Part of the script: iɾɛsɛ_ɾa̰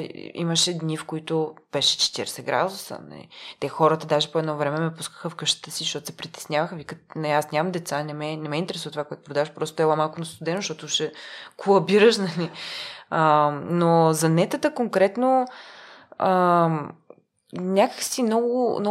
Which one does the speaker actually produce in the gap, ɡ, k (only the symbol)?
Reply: ɡ